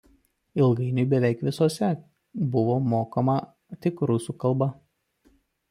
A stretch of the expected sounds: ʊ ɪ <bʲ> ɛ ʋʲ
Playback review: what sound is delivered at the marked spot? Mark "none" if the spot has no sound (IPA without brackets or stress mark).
bʲ